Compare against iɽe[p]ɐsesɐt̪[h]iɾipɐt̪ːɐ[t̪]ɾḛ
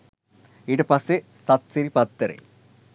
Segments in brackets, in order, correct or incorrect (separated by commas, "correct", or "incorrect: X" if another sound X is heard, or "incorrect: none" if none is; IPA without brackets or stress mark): correct, incorrect: s, incorrect: none